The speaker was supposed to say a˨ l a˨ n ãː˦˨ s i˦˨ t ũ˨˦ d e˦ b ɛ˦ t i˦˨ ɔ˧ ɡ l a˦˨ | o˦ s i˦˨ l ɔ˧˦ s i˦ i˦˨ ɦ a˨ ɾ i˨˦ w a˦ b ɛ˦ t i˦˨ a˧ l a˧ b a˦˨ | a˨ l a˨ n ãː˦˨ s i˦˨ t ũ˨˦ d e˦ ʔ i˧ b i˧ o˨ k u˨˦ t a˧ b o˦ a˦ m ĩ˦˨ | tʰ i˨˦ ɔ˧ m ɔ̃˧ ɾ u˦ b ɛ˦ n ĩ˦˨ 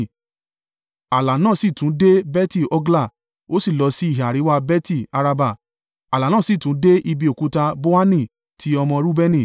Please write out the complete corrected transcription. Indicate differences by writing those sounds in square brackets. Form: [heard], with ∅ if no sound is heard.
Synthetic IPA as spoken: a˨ l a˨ n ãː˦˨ s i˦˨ t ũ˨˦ d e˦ b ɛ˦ t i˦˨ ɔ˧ ɡ l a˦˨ | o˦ s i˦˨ l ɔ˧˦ s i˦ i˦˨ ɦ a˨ ɾ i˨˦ w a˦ b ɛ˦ t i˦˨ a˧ [ɾ] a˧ b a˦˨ | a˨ l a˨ n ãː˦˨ s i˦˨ t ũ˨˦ d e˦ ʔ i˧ b i˧ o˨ k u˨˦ t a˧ b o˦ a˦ [n] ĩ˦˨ | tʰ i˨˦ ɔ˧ m ɔ̃˧ ɾ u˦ b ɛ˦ n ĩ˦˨